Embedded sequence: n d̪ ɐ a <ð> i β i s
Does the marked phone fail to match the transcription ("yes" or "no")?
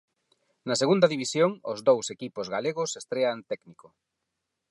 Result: no